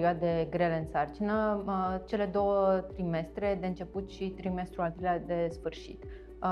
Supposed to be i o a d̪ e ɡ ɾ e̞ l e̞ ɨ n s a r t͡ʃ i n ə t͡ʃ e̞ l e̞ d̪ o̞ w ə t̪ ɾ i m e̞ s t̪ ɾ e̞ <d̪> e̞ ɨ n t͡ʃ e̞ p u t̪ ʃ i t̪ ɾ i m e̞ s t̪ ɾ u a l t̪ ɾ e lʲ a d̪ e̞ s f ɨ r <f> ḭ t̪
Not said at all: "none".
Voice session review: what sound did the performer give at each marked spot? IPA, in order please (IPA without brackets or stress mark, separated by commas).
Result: d̪, ʃ